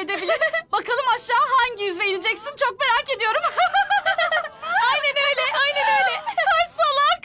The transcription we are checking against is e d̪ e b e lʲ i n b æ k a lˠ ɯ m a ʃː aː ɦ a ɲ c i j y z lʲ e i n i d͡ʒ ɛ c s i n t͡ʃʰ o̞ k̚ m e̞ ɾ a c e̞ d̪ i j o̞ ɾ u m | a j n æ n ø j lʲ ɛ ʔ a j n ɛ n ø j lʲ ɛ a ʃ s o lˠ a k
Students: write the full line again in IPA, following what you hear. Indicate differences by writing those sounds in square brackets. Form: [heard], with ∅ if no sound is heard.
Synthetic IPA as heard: e d̪ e b [i] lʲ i n b [a] k a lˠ ɯ m a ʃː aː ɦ a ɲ [ɟ] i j y z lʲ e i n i d͡ʒ ɛ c s i n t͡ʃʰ o̞ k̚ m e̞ ɾ a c e̞ d̪ i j o̞ ɾ u m | a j n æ n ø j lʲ ɛ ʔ a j n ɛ n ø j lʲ ɛ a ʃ s o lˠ a k